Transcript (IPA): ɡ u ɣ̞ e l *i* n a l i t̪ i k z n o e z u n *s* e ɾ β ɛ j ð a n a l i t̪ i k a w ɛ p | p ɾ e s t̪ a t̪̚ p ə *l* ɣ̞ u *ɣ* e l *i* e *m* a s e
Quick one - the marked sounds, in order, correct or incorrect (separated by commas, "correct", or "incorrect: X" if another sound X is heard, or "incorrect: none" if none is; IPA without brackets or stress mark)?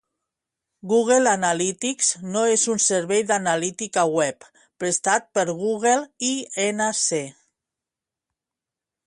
incorrect: a, correct, incorrect: ɾ, correct, correct, incorrect: n